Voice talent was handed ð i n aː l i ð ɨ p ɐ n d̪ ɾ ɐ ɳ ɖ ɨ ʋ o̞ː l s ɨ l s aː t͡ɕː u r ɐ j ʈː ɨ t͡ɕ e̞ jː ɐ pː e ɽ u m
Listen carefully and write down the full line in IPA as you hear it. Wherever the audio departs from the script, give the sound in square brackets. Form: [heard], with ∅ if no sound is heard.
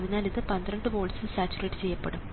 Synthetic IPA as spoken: ð i n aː l i ð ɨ p ɐ n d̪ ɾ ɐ ɳ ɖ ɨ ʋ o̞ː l s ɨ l s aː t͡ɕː u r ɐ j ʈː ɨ t͡ɕ e̞ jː ɐ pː e ɽ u m